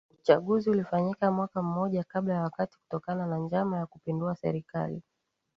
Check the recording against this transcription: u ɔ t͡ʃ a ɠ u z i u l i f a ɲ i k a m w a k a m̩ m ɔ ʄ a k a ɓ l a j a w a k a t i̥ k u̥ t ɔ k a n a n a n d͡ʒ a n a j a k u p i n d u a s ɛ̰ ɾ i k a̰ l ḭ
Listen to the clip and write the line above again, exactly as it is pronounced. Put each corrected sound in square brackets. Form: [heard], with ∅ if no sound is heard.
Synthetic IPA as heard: u [u] t͡ʃ a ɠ u z i u l i f a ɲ i k a m w a k a m̩ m ɔ ʄ a k a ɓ l a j a w a k a t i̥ k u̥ t ɔ k a n a n a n d͡ʒ a [m] a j a k u p i n d u a s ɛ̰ ɾ i k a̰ l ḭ